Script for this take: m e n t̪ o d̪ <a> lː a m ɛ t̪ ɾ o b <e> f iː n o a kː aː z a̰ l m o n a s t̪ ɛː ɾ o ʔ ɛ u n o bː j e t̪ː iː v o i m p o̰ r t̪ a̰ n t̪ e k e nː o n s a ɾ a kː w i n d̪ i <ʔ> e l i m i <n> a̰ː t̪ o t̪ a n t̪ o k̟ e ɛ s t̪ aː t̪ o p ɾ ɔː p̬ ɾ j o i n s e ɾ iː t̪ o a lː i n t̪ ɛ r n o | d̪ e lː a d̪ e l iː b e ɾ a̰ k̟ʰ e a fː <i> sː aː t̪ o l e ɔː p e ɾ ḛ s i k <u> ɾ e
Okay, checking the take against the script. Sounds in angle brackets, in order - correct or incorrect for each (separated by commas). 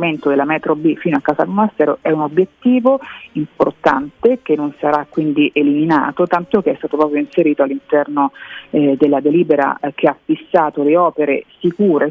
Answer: incorrect, incorrect, correct, correct, correct, incorrect